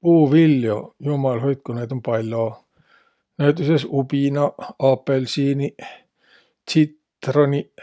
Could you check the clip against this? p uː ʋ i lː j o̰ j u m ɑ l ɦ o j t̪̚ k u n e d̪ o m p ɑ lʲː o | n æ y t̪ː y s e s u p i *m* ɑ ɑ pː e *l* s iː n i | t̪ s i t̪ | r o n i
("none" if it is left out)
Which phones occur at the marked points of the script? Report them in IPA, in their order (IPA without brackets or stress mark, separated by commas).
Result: n, l